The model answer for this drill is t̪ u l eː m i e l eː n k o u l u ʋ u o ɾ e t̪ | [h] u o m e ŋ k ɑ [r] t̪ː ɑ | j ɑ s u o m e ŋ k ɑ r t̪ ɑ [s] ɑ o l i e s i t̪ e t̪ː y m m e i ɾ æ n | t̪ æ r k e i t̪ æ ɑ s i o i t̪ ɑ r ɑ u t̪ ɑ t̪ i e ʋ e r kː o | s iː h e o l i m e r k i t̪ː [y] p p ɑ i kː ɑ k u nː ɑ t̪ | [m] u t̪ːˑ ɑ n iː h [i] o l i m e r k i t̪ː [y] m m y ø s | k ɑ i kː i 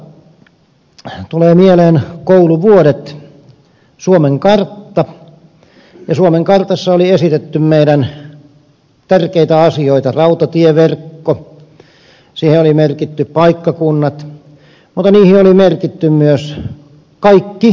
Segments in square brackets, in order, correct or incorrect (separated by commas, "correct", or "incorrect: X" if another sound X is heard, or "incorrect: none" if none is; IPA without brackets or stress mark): incorrect: s, correct, incorrect: sː, correct, correct, correct, correct